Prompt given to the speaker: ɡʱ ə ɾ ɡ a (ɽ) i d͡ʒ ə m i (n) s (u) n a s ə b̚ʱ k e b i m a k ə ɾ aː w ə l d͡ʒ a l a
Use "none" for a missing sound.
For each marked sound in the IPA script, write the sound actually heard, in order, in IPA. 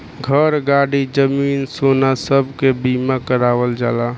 ɽ, n, o

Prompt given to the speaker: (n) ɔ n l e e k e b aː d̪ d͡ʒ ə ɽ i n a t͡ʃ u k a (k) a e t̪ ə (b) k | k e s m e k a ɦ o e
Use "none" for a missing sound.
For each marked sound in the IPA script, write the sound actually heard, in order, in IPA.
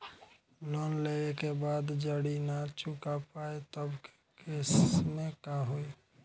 n, p, b

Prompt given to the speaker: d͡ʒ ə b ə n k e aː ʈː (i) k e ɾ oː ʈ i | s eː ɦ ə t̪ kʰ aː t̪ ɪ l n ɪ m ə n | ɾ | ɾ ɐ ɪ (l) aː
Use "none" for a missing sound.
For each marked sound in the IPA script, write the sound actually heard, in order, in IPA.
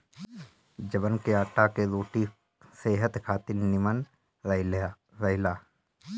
a, l

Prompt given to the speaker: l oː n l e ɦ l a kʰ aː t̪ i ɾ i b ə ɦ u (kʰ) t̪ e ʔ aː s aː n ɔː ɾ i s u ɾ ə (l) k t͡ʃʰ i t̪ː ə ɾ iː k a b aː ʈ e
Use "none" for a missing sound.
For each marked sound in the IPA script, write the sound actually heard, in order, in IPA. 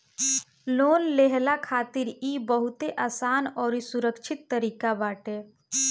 none, none

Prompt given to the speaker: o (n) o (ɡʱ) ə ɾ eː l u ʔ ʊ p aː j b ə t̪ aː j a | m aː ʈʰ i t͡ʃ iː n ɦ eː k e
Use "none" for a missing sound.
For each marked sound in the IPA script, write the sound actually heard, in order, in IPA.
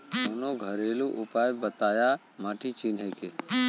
n, ɡʱ

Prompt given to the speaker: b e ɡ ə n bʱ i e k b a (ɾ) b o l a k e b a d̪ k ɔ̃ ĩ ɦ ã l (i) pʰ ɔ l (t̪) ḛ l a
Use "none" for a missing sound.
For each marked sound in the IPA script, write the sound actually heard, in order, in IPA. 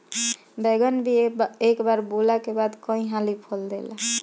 ɾ, i, d̪

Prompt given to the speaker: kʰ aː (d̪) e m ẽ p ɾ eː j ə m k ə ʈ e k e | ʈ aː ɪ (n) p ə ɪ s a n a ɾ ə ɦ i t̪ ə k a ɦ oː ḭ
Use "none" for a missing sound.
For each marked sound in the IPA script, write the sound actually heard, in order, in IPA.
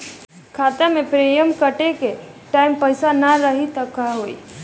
t̪, m

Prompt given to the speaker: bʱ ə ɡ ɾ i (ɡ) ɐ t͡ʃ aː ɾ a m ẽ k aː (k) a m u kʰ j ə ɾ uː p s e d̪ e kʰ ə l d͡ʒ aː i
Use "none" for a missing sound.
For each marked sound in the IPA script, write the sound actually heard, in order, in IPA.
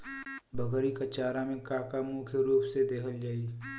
k, k

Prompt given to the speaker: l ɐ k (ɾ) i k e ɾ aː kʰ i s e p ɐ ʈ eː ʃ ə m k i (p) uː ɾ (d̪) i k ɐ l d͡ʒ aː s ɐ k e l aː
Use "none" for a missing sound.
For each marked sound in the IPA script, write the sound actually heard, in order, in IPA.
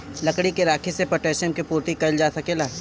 ɽ, p, t̪

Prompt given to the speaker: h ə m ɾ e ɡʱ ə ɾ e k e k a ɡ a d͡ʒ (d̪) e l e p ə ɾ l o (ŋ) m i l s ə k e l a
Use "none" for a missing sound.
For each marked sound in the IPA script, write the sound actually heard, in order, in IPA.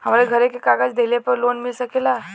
d̪, n

